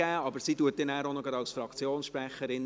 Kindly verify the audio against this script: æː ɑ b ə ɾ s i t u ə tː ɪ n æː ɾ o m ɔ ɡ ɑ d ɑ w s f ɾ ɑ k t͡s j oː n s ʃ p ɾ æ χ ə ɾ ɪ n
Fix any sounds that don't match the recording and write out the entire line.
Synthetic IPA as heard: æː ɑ b ə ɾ s i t u ə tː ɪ n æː ɾ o n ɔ ɡ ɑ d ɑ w s f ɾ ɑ k t͡s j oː n s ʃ p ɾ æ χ ə ɾ ɪ n